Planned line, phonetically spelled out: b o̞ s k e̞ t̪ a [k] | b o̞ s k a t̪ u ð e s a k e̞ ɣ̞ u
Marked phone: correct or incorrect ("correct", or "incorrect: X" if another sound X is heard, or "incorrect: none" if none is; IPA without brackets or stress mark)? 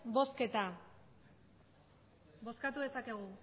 incorrect: none